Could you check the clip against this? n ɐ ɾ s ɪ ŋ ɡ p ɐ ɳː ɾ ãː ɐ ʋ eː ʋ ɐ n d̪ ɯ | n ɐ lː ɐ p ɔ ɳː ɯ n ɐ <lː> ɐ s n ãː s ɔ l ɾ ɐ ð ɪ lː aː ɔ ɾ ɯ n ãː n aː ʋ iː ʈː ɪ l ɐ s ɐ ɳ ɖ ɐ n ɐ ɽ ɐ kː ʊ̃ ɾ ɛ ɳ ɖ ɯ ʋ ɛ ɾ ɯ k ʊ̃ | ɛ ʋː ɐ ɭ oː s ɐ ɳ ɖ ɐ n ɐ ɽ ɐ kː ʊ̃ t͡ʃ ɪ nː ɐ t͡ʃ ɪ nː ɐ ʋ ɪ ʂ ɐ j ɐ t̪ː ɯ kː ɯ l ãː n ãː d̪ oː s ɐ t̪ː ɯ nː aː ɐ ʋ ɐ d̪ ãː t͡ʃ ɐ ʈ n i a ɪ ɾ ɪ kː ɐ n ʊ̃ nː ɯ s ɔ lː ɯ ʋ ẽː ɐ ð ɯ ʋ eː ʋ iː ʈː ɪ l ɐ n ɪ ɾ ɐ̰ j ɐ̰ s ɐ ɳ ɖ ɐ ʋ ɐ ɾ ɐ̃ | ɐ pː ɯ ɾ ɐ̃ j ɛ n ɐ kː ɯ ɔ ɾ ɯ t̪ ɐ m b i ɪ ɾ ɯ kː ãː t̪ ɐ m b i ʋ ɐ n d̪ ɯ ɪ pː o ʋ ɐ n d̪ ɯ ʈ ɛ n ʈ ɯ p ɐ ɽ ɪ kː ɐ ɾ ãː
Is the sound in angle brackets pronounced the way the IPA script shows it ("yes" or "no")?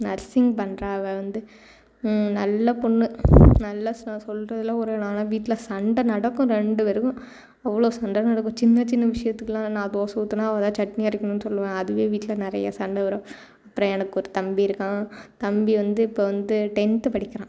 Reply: yes